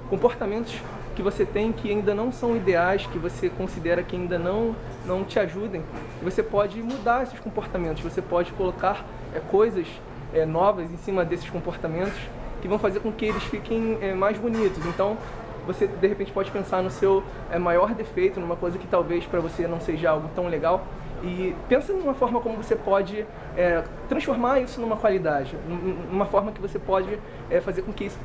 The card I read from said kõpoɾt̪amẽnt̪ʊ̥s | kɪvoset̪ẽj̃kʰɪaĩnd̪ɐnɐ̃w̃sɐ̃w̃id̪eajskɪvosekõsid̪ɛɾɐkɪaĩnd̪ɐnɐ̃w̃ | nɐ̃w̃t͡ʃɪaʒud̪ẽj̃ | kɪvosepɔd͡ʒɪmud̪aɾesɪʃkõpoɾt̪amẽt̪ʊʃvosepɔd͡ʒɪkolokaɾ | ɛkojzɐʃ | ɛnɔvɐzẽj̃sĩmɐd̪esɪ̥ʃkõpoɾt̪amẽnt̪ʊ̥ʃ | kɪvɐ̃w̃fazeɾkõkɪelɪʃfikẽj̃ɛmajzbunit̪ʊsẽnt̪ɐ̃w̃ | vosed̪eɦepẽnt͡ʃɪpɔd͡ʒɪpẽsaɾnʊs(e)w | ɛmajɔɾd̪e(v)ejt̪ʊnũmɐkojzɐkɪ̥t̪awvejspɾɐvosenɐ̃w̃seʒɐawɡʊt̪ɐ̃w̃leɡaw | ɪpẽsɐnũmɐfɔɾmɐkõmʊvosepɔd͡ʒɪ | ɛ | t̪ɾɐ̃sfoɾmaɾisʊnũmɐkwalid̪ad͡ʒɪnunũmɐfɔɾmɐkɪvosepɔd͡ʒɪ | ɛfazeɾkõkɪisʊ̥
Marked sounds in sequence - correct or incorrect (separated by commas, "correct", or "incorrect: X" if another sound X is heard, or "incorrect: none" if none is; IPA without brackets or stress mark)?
correct, incorrect: f